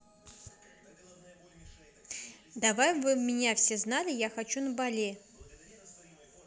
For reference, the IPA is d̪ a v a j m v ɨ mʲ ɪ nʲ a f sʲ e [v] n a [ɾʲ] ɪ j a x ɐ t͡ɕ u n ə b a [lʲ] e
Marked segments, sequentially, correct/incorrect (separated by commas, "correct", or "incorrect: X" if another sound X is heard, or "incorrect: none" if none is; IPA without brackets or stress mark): incorrect: z, incorrect: lʲ, correct